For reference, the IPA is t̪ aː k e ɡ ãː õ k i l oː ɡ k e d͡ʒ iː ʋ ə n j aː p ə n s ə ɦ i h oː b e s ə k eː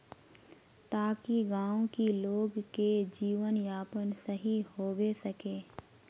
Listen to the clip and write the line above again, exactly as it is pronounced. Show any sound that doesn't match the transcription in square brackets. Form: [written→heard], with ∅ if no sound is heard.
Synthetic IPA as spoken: t̪ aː k [e→i] ɡ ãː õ k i l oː ɡ k e d͡ʒ iː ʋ ə n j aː p ə n s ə ɦ i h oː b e s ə k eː